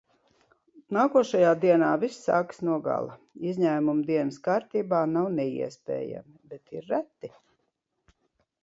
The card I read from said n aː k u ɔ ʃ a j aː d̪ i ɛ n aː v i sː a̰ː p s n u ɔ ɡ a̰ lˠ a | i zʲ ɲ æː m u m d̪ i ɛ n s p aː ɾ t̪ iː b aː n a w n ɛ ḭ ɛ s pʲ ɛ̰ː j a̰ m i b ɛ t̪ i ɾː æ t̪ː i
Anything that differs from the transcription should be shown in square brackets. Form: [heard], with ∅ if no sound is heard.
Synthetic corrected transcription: n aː k u ɔ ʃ a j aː d̪ i ɛ n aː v i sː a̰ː [k] s n u ɔ ɡ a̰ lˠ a | i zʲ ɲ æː m u m d̪ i ɛ n s [k] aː ɾ t̪ iː b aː n a w n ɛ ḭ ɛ s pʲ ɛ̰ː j a̰ m i b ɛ t̪ i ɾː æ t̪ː i